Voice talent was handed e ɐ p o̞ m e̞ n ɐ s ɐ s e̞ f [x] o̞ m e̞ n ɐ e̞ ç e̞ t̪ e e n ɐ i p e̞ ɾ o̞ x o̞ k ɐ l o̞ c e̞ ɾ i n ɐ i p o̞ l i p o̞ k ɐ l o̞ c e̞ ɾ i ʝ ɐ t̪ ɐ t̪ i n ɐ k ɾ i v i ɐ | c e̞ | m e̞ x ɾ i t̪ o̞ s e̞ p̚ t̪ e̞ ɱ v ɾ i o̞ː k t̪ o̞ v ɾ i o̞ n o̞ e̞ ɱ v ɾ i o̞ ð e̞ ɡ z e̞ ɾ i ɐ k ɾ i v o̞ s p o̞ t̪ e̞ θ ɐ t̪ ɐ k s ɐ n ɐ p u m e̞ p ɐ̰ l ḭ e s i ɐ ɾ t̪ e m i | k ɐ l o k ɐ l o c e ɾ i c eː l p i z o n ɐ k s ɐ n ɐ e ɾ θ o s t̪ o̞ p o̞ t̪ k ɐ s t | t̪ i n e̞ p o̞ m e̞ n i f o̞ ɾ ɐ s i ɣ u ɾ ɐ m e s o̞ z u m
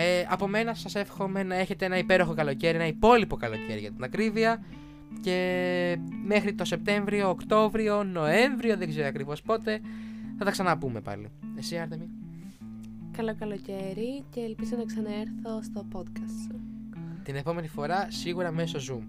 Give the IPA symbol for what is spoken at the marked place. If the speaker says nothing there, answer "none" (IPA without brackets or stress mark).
x